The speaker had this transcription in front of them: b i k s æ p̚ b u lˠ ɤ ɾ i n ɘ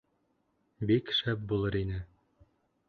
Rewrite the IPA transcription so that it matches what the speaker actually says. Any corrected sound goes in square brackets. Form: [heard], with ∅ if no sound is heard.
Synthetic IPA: b i k [ʃ] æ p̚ b u lˠ ɤ ɾ i n ɘ